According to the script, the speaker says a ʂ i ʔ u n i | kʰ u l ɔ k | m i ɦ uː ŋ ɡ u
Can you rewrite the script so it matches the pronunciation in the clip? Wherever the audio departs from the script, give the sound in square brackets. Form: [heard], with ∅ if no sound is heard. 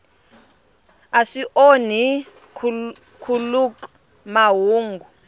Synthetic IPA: a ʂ i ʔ [o] n i | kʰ u l [u] k | m [a] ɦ uː ŋ ɡ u